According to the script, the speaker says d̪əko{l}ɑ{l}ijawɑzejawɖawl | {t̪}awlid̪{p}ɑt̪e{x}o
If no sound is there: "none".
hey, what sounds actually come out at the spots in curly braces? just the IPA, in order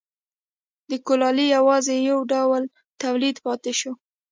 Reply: l, l, t̪, p, ʃ

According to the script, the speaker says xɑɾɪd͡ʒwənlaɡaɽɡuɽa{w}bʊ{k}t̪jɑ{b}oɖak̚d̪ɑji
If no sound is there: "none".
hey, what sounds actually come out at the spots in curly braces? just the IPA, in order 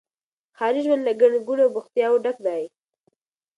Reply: w, x, w

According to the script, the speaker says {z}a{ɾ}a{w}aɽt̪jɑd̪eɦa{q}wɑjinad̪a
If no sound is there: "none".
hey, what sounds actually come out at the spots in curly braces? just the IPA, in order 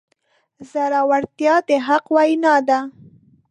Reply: z, ɾ, w, q

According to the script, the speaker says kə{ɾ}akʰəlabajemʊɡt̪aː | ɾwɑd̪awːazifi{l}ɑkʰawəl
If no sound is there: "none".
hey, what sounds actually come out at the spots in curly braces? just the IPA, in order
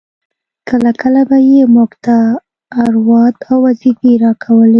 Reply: l, ɾ

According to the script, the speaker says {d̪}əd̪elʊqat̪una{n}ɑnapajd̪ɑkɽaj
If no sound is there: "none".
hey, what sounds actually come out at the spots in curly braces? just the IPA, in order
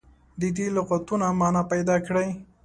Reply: d̪, m

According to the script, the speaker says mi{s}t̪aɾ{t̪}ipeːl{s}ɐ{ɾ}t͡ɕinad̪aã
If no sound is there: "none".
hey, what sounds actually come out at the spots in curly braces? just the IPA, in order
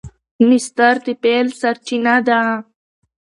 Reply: s, t̪, s, ɾ

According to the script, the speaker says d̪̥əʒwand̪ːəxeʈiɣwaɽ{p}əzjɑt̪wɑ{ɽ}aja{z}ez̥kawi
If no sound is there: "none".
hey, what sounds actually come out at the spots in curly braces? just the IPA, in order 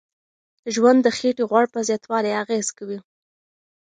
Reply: p, l, ɣ

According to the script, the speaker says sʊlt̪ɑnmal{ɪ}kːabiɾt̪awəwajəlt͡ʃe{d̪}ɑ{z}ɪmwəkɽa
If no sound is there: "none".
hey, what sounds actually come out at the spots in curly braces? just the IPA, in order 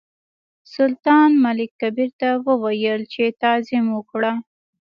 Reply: ɪ, t̪, z

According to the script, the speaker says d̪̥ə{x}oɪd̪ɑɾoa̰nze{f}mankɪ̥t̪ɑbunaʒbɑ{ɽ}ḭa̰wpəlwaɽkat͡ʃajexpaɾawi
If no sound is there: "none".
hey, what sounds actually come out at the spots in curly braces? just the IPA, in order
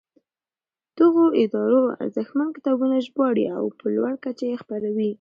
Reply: ɣ, x, ɽ

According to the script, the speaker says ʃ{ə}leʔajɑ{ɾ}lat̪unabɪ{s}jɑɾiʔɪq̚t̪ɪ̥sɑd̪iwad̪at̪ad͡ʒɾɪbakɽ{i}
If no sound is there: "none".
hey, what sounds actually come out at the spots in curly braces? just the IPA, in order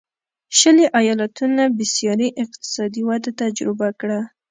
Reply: ə, none, s, a

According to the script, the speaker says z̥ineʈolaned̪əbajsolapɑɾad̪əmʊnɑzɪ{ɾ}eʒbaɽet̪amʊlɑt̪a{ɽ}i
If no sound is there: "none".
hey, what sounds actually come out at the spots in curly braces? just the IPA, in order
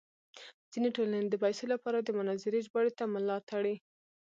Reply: ɾ, ɽ

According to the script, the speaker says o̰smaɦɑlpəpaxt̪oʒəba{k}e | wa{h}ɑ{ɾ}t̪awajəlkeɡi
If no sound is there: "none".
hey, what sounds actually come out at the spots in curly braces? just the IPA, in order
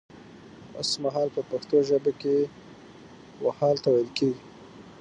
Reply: k, h, l

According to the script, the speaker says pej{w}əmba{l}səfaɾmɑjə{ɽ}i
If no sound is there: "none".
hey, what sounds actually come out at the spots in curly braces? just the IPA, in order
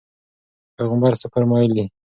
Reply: ɣ, ɾ, l

